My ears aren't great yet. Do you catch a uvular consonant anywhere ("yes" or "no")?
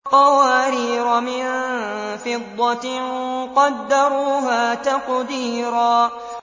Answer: yes